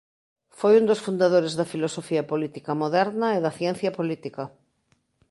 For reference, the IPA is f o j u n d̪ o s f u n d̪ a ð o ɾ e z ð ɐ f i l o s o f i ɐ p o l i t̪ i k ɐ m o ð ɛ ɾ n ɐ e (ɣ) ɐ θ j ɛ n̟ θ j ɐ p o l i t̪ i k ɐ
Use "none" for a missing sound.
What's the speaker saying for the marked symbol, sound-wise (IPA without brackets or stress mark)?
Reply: ð